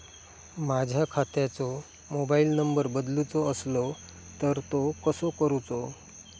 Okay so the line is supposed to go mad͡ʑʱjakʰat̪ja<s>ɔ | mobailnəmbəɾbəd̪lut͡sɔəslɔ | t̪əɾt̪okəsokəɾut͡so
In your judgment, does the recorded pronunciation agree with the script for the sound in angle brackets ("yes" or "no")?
no